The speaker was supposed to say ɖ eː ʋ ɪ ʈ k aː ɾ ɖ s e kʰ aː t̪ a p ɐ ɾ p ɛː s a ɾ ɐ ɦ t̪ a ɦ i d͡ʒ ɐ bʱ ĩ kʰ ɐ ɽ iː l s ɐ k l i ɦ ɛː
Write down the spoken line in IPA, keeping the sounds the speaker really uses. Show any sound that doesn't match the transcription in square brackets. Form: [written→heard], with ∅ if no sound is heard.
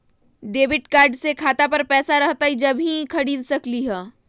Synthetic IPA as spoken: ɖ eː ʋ ɪ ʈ k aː ɾ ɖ s e kʰ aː t̪ a p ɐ ɾ p ɛː s a ɾ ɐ ɦ t̪ a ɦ i d͡ʒ ɐ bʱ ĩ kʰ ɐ ɽ iː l s ɐ k l i ɦ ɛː